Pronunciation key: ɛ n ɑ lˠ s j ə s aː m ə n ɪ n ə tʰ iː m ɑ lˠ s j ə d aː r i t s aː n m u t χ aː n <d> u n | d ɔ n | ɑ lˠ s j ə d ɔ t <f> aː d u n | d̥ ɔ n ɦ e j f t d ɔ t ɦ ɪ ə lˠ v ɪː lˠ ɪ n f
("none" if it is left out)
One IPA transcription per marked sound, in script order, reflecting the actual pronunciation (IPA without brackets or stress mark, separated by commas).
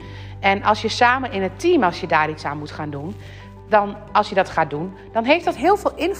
d, χ